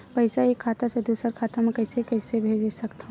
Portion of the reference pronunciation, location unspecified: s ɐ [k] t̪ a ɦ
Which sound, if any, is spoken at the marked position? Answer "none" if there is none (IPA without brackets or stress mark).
k